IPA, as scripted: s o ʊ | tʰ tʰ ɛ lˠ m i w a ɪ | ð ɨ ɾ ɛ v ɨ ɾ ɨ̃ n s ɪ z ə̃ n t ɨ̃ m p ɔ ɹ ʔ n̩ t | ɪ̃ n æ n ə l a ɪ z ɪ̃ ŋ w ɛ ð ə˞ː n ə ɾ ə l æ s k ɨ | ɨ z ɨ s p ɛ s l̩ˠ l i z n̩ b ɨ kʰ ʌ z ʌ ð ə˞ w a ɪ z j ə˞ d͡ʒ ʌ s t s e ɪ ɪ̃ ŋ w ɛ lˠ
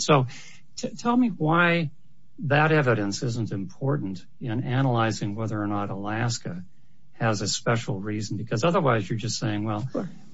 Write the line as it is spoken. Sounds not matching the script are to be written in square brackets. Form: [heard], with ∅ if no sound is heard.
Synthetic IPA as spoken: s o ʊ | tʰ tʰ ɛ lˠ m i w a ɪ | ð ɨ ɾ ɛ v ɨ ɾ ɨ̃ n s ɪ z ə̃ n t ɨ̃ m [pʰ] ɔ ɹ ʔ n̩ t | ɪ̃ n æ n ə l a ɪ z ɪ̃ ŋ w ɛ ð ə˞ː n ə ɾ ə l æ s k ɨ | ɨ z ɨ s p ɛ [ʃ] l̩ˠ [ɹ] i z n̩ b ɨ kʰ ʌ z ʌ ð ə˞ w a ɪ z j ə˞ d͡ʒ ʌ s t s e ɪ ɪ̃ ŋ w ɛ lˠ